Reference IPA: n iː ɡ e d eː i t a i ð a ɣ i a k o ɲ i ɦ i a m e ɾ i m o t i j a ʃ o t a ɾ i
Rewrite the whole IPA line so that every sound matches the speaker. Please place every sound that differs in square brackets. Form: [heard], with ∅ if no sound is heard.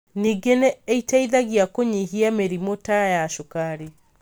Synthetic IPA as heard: n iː ɡ e [n] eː i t a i ð a ɣ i a k o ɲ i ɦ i a m e ɾ i m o t [a] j a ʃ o [k] a ɾ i